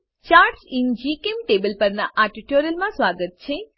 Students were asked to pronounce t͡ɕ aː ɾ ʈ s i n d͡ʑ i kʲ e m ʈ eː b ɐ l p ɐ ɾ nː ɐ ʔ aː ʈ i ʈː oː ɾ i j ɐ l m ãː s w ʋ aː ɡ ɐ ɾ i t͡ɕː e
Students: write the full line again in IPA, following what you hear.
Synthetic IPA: t͡ɕ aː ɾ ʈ s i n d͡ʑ i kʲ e m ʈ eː b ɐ l p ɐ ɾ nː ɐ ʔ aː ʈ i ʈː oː ɾ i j ɐ l m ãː s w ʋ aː ɡ ɐ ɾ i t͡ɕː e